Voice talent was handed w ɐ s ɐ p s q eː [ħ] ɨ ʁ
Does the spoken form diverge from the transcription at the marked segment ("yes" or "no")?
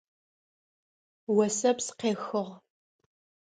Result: yes